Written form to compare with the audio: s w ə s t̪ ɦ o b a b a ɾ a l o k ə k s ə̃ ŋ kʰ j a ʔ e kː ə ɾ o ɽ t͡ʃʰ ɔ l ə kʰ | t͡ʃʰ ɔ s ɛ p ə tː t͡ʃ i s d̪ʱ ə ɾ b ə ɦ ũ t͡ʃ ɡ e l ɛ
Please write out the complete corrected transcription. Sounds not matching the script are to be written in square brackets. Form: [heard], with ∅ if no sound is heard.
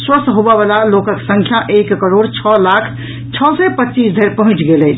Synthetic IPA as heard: s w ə s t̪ ɦ o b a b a [l] a l o k ə k s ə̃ ŋ kʰ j a ʔ e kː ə ɾ o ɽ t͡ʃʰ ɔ l [a] kʰ | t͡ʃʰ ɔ s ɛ p ə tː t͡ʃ i s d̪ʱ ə ɾ [p] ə ɦ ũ t͡ʃ ɡ e l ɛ